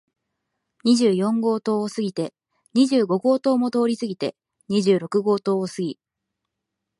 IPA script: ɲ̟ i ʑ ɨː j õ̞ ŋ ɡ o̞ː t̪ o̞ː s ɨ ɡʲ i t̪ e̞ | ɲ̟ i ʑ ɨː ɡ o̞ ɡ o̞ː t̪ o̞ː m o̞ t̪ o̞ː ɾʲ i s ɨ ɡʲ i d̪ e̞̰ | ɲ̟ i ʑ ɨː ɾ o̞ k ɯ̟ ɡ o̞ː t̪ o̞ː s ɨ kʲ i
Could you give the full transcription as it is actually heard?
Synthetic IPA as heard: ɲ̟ i ʑ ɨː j õ̞ ŋ ɡ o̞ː t̪ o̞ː s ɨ ɡʲ i t̪ e̞ | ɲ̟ i ʑ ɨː ɡ o̞ ɡ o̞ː t̪ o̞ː m o̞ t̪ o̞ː ɾʲ i s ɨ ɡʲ i t̪ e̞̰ | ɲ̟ i ʑ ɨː ɾ o̞ k ɯ̟ ɡ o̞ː t̪ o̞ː s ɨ ɡʲ i